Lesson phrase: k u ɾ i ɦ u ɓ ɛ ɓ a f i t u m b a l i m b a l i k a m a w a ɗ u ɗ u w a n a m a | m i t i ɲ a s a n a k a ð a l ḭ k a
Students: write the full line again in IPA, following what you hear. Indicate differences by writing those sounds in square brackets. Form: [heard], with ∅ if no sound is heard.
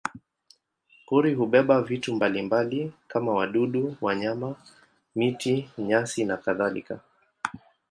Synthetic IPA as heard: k u ɾ i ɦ u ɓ ɛ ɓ a [v] i t u m b a l i m b a l i k a m a w a ɗ u ɗ u w a [ɲ] a m a | m i t i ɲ a s [i] n a k a ð a l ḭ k a